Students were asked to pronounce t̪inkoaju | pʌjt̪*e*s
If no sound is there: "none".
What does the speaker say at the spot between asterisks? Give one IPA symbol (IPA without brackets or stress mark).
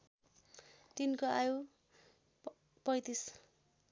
i